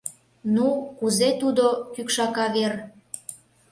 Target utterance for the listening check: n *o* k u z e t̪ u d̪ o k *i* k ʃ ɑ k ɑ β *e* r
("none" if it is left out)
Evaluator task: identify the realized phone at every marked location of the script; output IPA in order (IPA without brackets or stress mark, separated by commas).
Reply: u, y, e